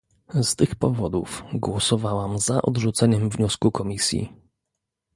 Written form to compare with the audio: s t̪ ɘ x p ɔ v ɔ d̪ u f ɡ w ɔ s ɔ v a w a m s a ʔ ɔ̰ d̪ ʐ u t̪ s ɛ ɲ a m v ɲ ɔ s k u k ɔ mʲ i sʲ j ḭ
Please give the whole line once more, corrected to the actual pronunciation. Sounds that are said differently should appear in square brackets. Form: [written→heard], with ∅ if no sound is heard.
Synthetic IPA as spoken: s t̪ ɘ x p ɔ v ɔ d̪ u f ɡ w ɔ s ɔ v a w a m [s→z] a ʔ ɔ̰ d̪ ʐ u t̪ s ɛ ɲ [a→ɛ] m v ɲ ɔ s k u k ɔ mʲ i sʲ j ḭ